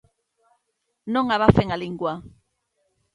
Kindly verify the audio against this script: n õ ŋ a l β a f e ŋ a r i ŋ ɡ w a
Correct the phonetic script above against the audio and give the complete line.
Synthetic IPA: n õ ŋ a β a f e ŋ a l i ŋ ɡ w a